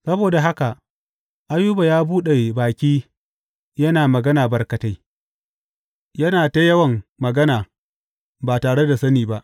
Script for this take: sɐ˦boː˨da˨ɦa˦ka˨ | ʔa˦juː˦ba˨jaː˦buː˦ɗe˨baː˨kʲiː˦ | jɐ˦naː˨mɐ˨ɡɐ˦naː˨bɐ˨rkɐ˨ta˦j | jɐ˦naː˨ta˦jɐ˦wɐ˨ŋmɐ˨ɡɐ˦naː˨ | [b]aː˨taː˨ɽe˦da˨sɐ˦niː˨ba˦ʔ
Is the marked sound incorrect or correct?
correct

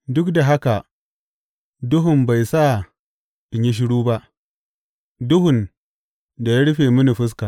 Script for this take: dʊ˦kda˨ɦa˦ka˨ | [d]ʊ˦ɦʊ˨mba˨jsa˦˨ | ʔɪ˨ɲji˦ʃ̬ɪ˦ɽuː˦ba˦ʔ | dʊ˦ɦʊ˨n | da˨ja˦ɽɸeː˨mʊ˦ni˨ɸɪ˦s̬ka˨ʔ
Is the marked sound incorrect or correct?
correct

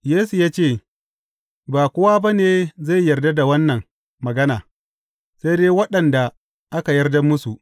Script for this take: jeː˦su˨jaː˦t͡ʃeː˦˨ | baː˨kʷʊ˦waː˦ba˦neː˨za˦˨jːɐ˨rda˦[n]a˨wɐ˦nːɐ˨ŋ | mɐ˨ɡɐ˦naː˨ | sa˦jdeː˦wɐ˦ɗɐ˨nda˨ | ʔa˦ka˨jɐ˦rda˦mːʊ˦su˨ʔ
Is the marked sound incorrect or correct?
incorrect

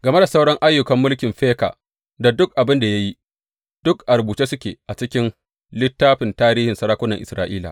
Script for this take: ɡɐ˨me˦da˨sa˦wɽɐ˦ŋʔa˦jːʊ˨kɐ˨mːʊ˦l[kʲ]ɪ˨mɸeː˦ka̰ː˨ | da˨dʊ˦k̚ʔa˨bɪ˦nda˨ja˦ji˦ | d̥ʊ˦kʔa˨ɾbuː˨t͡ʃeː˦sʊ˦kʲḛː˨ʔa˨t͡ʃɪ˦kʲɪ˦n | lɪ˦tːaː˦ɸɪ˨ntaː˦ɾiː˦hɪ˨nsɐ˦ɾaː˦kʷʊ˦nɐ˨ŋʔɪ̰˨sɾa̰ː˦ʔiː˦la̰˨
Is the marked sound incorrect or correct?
correct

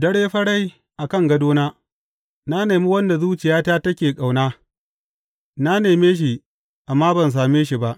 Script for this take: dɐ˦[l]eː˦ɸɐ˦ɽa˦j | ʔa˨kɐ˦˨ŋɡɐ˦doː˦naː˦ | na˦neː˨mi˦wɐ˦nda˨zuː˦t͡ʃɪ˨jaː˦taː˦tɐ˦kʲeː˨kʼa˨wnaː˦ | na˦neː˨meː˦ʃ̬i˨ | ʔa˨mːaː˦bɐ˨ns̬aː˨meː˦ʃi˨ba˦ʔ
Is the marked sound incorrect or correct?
incorrect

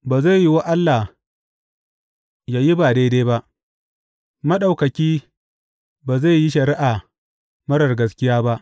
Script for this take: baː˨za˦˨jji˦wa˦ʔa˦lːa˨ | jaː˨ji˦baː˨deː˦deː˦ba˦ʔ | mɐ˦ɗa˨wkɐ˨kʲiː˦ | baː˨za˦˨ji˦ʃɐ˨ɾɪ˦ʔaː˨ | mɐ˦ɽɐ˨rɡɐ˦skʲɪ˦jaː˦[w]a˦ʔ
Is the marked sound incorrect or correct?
incorrect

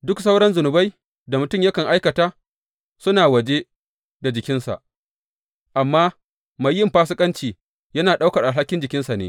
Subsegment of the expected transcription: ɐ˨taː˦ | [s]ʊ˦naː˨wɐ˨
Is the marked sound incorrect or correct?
correct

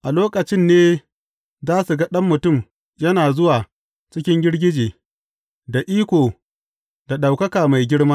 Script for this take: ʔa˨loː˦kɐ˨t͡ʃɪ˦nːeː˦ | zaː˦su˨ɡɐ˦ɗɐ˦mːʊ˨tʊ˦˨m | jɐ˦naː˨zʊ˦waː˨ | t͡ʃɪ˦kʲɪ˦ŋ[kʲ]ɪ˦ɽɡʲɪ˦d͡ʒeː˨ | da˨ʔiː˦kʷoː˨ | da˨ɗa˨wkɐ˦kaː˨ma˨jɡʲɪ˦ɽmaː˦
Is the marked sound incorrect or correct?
incorrect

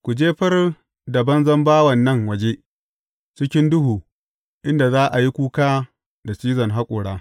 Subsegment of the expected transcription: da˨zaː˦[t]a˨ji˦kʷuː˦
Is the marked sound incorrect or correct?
incorrect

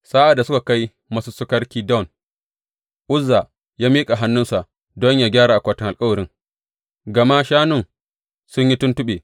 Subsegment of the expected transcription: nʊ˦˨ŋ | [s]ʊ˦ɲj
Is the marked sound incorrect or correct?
correct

